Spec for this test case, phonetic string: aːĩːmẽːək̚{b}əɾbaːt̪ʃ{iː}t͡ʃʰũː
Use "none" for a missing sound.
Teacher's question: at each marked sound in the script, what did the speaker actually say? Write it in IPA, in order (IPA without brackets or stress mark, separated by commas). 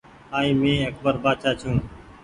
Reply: b, aː